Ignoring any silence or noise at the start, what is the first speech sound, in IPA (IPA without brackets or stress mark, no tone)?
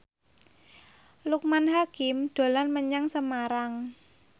l